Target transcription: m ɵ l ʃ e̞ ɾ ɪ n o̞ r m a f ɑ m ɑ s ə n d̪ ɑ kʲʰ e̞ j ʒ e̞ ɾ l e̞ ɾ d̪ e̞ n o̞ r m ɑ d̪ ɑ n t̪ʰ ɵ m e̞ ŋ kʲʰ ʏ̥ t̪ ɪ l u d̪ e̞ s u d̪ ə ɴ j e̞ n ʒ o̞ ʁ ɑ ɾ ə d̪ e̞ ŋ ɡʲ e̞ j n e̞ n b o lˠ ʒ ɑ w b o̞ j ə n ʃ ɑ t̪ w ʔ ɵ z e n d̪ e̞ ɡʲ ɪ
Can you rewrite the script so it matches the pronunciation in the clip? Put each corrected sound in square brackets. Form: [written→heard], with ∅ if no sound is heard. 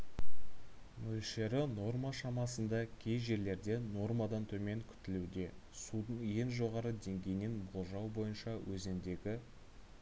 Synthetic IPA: m ɵ l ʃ e̞ ɾ ɪ n o̞ r m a [f→ʃ] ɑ m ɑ s ə n d̪ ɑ kʲʰ e̞ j ʒ e̞ ɾ l e̞ ɾ d̪ e̞ n o̞ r m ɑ d̪ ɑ n t̪ʰ ɵ m e̞ ŋ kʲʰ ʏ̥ t̪ ɪ l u d̪ e̞ s u d̪ ə ɴ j e̞ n ʒ o̞ ʁ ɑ ɾ ə d̪ e̞ ŋ ɡʲ e̞ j n e̞ n b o lˠ ʒ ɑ w b o̞ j ə n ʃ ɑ [t̪→∅] w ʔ ɵ z e n d̪ e̞ ɡʲ ɪ